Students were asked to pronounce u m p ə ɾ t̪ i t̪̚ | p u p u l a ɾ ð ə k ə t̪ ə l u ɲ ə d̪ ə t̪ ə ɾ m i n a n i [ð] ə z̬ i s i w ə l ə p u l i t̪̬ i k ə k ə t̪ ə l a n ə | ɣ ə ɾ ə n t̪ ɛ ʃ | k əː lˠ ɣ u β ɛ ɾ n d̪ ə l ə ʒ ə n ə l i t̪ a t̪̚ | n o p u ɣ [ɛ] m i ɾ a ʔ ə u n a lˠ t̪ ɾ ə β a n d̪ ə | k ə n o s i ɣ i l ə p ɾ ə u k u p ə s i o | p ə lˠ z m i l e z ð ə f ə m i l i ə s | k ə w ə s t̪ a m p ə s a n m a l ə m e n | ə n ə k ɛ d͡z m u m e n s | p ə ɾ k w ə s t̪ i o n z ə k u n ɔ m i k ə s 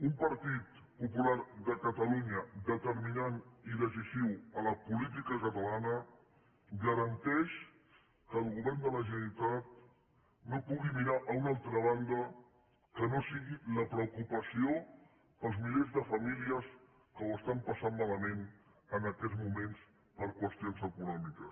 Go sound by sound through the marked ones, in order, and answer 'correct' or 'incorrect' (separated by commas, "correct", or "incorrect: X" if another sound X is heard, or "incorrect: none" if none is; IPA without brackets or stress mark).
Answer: correct, incorrect: i